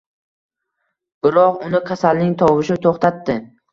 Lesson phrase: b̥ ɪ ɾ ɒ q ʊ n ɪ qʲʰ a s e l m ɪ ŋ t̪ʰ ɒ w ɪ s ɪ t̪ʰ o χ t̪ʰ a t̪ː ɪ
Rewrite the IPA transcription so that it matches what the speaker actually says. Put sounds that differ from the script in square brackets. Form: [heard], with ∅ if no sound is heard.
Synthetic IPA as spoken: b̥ ɪ ɾ ɒ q ʊ n ɪ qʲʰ a s [a] l [n] ɪ ŋ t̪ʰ ɒ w ɪ [ʃ] ɪ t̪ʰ o χ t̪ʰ a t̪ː ɪ